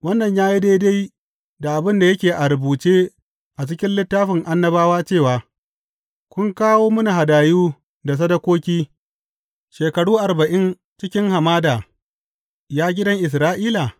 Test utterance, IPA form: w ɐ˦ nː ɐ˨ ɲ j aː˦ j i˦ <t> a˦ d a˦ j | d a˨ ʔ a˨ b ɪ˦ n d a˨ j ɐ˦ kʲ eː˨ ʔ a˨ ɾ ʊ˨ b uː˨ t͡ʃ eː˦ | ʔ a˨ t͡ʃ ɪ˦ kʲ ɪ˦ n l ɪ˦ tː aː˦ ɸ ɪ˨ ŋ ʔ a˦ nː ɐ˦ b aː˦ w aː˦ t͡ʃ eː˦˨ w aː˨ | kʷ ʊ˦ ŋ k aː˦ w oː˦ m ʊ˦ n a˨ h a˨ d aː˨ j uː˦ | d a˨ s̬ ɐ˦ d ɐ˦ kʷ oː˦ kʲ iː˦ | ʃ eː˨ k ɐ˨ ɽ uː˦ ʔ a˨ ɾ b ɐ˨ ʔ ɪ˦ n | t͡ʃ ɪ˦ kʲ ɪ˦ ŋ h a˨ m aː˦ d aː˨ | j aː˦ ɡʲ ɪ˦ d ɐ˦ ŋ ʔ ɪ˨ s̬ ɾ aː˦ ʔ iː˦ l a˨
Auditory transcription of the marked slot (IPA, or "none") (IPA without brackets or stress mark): d